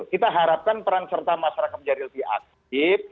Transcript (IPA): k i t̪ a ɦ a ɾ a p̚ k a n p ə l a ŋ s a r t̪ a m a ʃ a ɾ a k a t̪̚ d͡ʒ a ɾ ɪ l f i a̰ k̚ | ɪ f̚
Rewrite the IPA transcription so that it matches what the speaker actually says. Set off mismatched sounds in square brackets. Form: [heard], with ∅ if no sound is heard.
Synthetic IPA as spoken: k i t̪ a ɦ a ɾ a p̚ k a n p ə [ɾ] a ŋ s [ə] r t̪ a m a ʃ a ɾ a k a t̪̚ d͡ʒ a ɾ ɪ l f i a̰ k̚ | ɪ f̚